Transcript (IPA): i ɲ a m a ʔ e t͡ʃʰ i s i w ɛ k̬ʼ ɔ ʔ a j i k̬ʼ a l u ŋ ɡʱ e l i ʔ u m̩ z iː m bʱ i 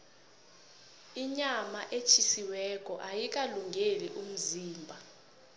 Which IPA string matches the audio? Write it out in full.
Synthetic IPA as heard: i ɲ a m a ʔ e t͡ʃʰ i s i w ɛ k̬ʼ ɔ ʔ a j i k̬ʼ a l u ŋ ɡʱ e l i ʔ u m̩ z iː m bʱ a